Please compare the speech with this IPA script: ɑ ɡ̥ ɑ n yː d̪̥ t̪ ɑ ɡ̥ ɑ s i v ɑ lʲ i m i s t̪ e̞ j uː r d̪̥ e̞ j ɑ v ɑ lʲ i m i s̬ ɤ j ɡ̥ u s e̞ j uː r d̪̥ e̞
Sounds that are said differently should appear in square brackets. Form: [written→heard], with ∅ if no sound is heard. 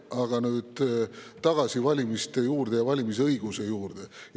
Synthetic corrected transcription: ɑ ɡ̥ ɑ n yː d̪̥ t̪ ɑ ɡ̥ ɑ s i v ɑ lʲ i m i s t̪ e̞ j uː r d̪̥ e̞ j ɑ v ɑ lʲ i m i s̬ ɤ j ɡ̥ u s e̞ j uː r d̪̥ e̞